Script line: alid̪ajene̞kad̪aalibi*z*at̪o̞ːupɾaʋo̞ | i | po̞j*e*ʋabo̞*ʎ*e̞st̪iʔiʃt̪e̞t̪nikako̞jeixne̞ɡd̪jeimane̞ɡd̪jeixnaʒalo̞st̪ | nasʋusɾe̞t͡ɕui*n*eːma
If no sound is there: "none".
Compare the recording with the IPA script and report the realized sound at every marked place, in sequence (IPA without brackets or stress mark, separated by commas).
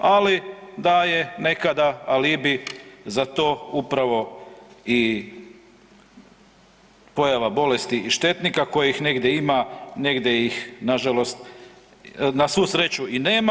z, a, l, n